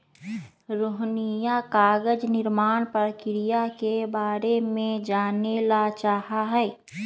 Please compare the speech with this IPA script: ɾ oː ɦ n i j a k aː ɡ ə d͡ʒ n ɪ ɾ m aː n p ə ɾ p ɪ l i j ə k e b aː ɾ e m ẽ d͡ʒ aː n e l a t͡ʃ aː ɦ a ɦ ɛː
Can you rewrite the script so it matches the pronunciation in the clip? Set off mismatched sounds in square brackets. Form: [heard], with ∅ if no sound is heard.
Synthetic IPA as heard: ɾ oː ɦ n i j a k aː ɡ ə d͡ʒ n ɪ ɾ m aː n p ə ɾ [k] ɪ [ɾ] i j [a] k e b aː ɾ e m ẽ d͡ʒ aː n e l a t͡ʃ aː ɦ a ɦ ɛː